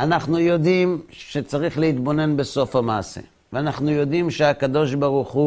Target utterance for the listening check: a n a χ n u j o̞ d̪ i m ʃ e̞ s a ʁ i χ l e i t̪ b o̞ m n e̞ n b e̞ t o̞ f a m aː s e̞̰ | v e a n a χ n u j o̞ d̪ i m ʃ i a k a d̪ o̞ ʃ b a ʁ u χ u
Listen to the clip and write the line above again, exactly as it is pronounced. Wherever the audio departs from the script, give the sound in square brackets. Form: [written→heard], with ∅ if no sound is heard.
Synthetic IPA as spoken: a n a χ n u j o̞ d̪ i m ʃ e̞ [s→t͡s] a ʁ i χ l e i t̪ b o̞ [m→∅] n e̞ n b e̞ [t→s] o̞ f a m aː s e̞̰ | v e a n a χ n u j o̞ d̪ i m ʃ [i→e] a k a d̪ o̞ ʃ b a ʁ u χ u